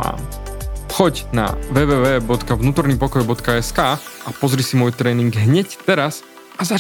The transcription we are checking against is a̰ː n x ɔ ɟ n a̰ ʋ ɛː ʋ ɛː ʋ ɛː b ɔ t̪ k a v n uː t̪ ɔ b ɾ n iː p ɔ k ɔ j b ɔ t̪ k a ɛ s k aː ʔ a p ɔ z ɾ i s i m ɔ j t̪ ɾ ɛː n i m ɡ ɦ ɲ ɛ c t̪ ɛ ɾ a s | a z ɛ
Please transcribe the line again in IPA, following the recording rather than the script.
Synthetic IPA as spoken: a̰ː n x ɔ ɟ n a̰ ʋ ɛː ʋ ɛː ʋ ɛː b ɔ t̪ k a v n uː t̪ ɔ ɾ n iː p ɔ k ɔ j b ɔ t̪ k a ɛ s k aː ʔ a p ɔ z ɾ i s i m ɔ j t̪ ɾ ɛː n i ŋ ɡ ɦ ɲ ɛ c t̪ ɛ ɾ a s | a z a